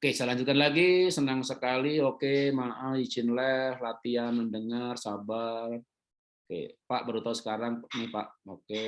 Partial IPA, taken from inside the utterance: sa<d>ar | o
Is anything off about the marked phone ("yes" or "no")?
yes